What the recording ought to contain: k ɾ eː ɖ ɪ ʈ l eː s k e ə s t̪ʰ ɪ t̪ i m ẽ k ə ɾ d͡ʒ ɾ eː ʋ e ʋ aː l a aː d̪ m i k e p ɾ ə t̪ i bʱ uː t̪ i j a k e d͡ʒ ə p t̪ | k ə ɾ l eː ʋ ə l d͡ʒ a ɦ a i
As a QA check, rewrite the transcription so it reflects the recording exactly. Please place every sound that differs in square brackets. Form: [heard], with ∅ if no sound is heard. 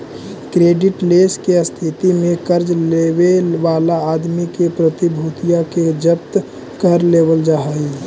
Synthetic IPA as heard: k ɾ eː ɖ ɪ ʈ l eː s k e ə s t̪ʰ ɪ t̪ i m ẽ k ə ɾ d͡ʒ [l] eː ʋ e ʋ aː l a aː d̪ m i k e p ɾ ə t̪ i bʱ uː t̪ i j a k e d͡ʒ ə p t̪ | k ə ɾ l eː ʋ ə l d͡ʒ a ɦ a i